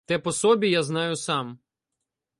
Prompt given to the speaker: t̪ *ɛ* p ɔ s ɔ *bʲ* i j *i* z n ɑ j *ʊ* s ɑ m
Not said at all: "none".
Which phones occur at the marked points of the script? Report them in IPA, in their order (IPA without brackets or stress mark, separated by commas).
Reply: ɛ, bʲ, a, ʊ